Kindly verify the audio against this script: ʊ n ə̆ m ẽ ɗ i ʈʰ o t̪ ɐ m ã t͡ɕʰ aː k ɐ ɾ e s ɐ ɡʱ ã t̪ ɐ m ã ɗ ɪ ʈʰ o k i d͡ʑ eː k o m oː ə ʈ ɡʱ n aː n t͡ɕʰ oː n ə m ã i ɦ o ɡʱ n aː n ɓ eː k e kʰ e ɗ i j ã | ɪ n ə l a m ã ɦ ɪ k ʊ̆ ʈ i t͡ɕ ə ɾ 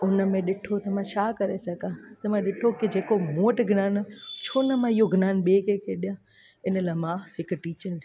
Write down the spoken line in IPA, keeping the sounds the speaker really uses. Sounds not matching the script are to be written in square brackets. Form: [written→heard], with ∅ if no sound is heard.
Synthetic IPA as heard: ʊ n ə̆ m ẽ ɗ [i→ɪ] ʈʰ o t̪ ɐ m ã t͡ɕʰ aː k ɐ ɾ e s ɐ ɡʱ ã t̪ ɐ m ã ɗ ɪ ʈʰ o k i d͡ʑ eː k o m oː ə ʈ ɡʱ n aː n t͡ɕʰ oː n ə m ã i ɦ o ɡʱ n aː n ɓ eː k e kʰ e ɗ i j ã | ɪ n ə l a m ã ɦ ɪ k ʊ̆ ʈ [i→iː] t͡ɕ ə ɾ

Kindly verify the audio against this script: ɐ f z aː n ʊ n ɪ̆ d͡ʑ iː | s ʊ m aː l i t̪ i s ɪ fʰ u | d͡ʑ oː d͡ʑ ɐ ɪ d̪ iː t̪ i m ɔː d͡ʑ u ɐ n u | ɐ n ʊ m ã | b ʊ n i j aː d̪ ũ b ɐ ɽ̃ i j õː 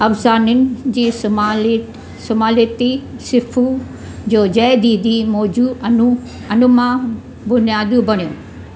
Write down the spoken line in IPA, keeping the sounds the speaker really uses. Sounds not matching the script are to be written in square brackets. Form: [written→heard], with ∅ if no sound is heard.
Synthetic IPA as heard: ɐ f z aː n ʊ n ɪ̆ d͡ʑ iː | s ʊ m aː l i t̪ i s ɪ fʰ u | d͡ʑ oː d͡ʑ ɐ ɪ d̪ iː [t̪→d̪] i m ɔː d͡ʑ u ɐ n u | ɐ n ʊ m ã | b ʊ n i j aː d̪ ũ b ɐ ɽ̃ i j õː

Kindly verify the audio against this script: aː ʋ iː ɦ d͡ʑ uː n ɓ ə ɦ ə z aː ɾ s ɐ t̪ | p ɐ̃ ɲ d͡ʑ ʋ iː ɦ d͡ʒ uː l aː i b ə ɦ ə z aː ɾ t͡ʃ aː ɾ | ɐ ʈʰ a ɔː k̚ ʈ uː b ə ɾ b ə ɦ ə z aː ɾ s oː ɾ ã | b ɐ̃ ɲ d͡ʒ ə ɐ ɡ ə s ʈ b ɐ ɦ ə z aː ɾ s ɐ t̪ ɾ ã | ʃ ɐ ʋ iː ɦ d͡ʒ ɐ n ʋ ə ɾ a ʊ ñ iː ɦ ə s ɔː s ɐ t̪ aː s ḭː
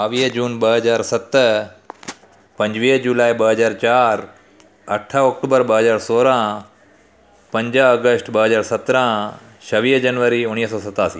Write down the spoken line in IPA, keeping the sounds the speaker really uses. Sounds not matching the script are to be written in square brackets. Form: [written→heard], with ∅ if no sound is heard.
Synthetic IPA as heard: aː ʋ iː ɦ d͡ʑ uː n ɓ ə ɦ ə z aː ɾ s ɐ t̪ | p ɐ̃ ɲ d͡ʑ ʋ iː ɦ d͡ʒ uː l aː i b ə ɦ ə z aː ɾ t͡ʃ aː ɾ | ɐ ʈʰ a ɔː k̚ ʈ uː b ə ɾ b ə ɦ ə z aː ɾ s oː ɾ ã | [b→p] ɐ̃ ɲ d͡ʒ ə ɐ ɡ ə s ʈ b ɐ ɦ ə z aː ɾ s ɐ t̪ ɾ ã | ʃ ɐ ʋ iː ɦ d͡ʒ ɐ n ʋ ə ɾ [a→i] ʊ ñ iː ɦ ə s ɔː s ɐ t̪ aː s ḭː

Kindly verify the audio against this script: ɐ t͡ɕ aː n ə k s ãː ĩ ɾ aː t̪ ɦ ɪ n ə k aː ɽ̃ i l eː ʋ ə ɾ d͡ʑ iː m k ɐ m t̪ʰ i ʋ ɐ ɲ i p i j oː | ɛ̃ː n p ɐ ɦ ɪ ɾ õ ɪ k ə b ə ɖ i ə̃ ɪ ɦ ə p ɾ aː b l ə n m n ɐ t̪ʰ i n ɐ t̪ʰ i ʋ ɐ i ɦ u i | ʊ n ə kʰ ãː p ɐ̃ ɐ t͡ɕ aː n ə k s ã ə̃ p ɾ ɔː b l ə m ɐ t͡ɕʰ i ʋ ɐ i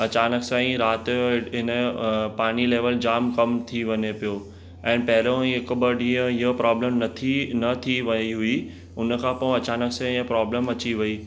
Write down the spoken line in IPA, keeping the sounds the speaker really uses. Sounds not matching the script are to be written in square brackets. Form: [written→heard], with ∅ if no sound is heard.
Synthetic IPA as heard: ɐ t͡ɕ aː n ə k s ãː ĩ ɾ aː t̪ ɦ ɪ n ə [k→p] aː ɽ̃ i l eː ʋ ə [ɾ→l] d͡ʑ [iː→aː] m k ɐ m t̪ʰ i ʋ ɐ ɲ [i→e] p i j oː | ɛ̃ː n p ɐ ɦ ɪ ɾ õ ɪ k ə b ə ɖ i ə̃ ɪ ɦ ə p ɾ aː b l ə [n→∅] m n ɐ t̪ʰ i n ɐ t̪ʰ i ʋ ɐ i ɦ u i | ʊ n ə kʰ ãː p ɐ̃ ɐ t͡ɕ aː n ə k s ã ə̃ p ɾ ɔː b l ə m ɐ [t͡ɕʰ→t͡ɕ] i ʋ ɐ i

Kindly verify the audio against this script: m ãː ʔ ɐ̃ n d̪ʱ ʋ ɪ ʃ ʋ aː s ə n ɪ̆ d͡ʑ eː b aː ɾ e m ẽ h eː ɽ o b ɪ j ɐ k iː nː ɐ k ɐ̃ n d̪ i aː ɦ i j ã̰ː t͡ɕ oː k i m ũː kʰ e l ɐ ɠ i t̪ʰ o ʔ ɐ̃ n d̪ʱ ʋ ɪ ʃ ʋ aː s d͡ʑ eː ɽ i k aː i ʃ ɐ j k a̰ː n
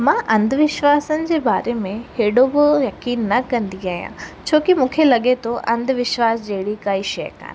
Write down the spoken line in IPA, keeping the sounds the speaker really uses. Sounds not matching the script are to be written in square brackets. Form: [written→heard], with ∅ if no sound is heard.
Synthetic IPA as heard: m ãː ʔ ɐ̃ n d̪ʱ ʋ ɪ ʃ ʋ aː s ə n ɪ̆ d͡ʑ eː b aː ɾ e m ẽ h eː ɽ o b ɪ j ɐ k iː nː ɐ k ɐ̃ n d̪ i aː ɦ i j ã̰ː [t͡ɕ→t͡ɕʰ] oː k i m ũː kʰ e l ɐ ɠ [i→e] t̪ʰ o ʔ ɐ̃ n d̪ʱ ʋ ɪ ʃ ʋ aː s d͡ʑ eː ɽ i k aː i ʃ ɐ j k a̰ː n

